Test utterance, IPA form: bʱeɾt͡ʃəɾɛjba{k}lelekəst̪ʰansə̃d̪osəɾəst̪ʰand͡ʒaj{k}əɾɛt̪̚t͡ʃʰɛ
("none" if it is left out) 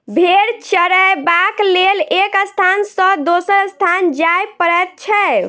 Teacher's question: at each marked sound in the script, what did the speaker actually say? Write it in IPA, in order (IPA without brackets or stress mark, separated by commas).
k, p